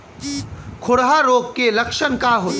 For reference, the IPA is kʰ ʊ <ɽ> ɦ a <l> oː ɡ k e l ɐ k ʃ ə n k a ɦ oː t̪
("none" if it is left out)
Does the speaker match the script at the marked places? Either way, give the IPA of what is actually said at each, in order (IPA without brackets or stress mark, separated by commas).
ɽ, ɾ